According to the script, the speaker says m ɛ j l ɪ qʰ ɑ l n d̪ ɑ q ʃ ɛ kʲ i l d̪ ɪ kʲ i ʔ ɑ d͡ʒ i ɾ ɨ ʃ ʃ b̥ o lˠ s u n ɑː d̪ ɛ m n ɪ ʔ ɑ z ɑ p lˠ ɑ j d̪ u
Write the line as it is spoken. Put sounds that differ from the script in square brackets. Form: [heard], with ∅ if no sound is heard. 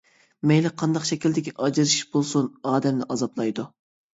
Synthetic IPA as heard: m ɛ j l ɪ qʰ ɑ [∅] n d̪ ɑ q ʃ ɛ kʲ i l d̪ ɪ kʲ i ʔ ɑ d͡ʒ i ɾ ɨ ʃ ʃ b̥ o lˠ s u n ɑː d̪ ɛ m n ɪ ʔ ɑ z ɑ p lˠ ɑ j d̪ u

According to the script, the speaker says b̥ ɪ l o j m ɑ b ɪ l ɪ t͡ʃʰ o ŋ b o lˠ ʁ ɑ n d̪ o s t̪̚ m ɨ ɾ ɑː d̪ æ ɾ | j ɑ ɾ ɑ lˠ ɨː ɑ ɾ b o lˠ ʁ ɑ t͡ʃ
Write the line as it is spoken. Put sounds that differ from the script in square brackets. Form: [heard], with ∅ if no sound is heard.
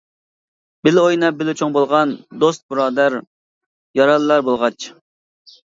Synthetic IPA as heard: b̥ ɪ l o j [n] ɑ b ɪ l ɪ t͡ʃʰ o ŋ b o lˠ ʁ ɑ n d̪ o s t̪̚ [b] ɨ ɾ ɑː d̪ æ ɾ | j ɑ ɾ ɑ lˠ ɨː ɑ ɾ b o lˠ ʁ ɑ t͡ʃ

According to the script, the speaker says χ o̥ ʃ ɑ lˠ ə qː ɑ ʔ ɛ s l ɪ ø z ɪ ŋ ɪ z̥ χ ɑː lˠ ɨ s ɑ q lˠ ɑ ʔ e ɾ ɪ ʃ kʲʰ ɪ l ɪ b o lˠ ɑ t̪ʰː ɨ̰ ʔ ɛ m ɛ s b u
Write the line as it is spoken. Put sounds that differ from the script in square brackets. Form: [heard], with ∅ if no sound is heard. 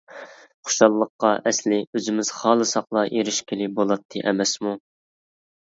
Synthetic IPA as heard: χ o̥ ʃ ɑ [lˠː] ə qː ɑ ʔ ɛ s l ɪ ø z ɪ [m] ɪ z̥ χ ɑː lˠ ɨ s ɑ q lˠ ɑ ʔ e ɾ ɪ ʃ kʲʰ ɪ l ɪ b o lˠ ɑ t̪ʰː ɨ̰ ʔ ɛ m ɛ s [m] u

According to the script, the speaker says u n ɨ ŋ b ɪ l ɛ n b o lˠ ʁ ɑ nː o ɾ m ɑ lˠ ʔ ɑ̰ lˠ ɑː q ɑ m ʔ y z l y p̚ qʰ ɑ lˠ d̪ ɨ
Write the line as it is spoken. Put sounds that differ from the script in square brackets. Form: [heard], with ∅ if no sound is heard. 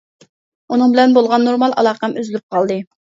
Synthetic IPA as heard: u n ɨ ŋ b ɪ l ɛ n b o lˠ ʁ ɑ nː o ɾ m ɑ lˠ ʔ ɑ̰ lˠ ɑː q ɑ m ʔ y z l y p̚ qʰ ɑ lˠ d̪ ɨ

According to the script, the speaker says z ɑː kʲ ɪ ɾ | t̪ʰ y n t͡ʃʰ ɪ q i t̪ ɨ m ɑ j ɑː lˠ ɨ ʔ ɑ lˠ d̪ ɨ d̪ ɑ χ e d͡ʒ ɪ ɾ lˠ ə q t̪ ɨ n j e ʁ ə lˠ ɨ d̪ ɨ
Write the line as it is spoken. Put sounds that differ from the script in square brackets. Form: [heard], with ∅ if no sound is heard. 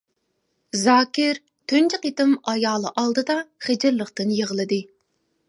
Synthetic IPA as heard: z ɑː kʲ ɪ ɾ | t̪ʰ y n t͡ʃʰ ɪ q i t̪ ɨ m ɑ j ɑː lˠ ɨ ʔ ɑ lˠ d̪ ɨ d̪ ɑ χ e d͡ʒ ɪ ɾ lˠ ə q t̪ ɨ n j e ʁ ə lˠ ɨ d̪ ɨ

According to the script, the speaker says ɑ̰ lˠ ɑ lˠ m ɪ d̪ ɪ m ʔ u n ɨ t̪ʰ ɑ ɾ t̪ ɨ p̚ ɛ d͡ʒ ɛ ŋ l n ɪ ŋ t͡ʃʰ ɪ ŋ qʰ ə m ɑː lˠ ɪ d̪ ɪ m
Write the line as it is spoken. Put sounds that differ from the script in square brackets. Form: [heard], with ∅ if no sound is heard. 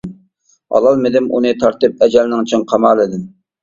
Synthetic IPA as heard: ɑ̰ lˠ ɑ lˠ m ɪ d̪ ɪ m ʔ u n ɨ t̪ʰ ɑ ɾ t̪ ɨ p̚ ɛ d͡ʒ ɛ [∅] l n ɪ ŋ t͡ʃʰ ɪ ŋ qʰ [ɑ] m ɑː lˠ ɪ d̪ ɪ m

